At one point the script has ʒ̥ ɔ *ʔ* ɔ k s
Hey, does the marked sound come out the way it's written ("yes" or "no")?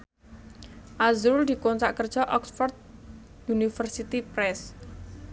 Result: yes